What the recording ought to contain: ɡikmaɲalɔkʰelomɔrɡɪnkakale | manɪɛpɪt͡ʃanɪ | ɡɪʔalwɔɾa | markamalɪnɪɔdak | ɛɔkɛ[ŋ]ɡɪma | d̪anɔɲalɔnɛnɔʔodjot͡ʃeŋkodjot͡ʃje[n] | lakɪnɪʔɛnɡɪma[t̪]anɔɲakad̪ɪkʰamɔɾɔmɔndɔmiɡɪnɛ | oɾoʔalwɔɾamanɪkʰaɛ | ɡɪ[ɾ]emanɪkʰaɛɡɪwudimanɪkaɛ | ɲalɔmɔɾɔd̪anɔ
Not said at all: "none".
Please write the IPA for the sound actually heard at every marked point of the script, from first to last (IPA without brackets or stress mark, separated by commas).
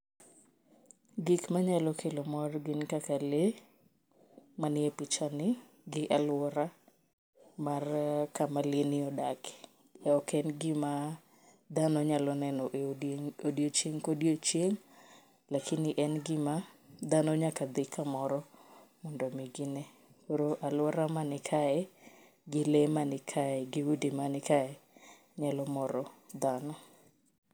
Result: n, ŋ, d̪, l